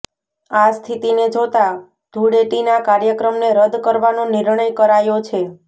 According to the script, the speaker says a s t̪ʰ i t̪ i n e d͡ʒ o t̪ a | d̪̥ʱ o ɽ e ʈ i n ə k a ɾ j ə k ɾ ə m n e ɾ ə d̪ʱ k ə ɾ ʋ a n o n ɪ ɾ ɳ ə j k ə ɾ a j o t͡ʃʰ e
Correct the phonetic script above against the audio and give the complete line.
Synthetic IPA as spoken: a s t̪ʰ i t̪ i n e d͡ʒ o t̪ a | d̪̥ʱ u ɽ e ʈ i n a k a ɾ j ə k ɾ ə m n e ɾ ə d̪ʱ k ə ɾ ʋ a n o n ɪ ɾ ɳ ə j k ə ɾ a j o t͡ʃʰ e